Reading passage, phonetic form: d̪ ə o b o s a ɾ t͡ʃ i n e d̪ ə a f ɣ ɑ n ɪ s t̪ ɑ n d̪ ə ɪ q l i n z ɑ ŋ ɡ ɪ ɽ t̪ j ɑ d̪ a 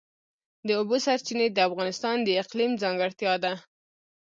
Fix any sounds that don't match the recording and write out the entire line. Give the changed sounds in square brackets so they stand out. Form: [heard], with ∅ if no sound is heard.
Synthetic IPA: d̪ ə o b o s a ɾ t͡ʃ i n e d̪ ə a f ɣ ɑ n ɪ s t̪ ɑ n d̪ ə ɪ q l i [m] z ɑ ŋ ɡ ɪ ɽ t̪ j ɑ d̪ a